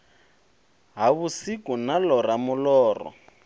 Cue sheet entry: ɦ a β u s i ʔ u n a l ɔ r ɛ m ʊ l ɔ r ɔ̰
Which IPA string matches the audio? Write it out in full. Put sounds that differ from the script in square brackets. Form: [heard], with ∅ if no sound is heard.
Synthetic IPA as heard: ɦ a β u s i [k] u n a l ɔ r [a] m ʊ l [ɔː] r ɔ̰